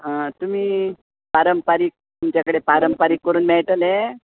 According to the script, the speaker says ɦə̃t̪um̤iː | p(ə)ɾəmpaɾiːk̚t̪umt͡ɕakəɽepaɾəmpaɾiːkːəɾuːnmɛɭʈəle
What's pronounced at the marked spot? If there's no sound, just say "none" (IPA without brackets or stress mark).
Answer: a